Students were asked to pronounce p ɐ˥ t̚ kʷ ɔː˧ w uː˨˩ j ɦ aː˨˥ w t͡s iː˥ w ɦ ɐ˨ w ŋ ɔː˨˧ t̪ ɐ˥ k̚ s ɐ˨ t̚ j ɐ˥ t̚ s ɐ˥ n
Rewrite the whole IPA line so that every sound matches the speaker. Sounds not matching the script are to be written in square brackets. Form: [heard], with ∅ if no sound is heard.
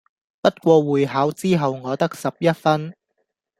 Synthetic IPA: p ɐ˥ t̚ kʷ ɔː˧ w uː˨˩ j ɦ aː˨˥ w t͡s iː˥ [∅] ɦ ɐ˨ w ŋ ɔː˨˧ t̪ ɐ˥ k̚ s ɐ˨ [p̚] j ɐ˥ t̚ [f] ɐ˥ n